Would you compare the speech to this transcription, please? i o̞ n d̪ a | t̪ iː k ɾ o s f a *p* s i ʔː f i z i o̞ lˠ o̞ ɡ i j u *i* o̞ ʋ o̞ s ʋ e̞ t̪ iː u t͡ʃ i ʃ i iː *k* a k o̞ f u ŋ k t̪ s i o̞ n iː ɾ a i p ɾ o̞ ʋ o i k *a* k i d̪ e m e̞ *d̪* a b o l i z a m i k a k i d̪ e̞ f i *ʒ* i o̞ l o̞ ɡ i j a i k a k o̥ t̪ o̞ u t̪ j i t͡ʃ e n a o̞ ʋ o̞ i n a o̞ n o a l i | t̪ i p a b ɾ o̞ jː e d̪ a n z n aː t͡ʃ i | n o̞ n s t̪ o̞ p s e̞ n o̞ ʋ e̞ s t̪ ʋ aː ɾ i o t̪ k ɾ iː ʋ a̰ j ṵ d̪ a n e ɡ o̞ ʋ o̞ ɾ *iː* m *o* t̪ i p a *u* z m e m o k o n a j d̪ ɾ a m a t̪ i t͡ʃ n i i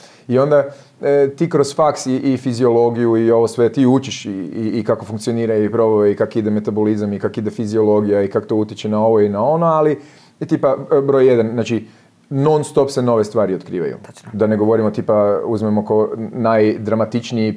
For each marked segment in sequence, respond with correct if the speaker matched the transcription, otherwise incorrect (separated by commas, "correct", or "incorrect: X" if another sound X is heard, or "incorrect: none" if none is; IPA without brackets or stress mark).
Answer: incorrect: k, correct, correct, correct, incorrect: t̪, incorrect: z, incorrect: i, correct, correct